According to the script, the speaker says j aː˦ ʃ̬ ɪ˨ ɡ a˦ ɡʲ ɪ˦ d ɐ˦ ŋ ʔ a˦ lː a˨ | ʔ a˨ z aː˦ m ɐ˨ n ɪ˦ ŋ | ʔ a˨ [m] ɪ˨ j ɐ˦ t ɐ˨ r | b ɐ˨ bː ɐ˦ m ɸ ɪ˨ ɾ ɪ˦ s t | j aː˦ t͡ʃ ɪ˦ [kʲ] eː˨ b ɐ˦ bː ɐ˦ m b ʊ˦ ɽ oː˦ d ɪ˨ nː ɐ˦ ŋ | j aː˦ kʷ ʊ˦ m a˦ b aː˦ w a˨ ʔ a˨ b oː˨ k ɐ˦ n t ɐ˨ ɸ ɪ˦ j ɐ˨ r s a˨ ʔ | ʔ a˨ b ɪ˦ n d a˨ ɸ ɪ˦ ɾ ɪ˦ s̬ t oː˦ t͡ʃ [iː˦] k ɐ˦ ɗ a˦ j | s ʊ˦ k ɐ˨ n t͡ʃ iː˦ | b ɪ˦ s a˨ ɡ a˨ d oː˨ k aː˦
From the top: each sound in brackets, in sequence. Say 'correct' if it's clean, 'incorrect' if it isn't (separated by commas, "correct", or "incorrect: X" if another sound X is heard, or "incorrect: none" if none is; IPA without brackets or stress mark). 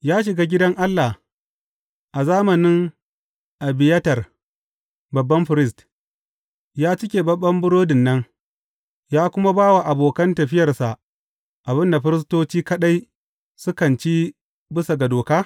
incorrect: b, correct, correct